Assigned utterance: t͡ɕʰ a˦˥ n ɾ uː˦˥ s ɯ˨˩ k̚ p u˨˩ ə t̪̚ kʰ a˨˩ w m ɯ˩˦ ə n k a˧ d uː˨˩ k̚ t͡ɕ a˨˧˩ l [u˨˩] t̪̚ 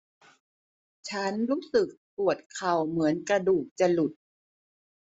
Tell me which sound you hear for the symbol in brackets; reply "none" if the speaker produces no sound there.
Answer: u˨˩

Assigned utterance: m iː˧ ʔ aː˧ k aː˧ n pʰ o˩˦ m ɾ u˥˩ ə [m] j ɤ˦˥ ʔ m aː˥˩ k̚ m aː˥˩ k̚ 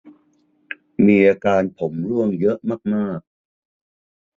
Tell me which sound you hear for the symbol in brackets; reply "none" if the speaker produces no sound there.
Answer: ŋ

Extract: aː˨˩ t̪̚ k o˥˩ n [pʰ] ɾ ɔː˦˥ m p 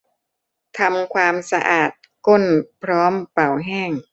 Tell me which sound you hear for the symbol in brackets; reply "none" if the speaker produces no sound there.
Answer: pʰ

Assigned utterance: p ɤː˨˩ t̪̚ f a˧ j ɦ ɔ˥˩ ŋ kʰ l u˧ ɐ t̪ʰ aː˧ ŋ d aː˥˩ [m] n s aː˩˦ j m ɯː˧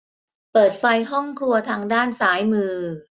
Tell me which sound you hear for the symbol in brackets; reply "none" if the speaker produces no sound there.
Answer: none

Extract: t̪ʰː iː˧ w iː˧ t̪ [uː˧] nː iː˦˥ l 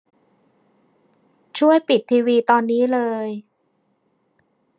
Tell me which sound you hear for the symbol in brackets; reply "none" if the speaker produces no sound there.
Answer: ɔː˧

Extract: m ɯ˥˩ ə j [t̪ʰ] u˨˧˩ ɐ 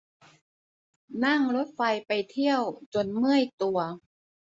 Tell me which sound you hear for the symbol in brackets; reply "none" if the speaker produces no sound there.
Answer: t̪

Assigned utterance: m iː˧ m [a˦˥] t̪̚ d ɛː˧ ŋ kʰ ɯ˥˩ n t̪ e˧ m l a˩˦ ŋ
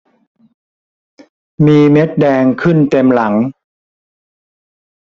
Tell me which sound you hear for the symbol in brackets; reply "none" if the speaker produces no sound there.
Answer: e˦˥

